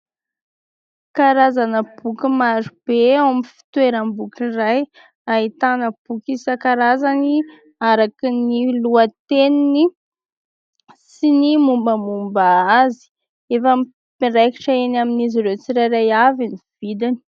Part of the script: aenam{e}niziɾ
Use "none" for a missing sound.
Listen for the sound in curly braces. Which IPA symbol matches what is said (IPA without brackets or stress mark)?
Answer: i